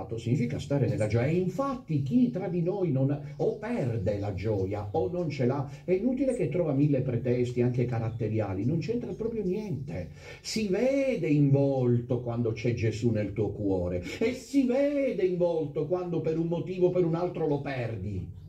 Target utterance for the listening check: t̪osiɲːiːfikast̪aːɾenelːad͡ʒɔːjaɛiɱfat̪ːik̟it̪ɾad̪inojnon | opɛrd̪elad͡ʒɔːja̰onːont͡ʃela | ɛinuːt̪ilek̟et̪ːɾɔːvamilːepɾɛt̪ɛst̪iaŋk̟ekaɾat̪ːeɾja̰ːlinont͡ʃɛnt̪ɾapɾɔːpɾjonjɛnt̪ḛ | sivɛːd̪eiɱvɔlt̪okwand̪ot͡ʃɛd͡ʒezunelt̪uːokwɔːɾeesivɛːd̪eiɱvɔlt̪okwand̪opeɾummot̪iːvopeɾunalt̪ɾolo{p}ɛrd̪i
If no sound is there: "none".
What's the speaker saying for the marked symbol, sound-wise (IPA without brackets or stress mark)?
p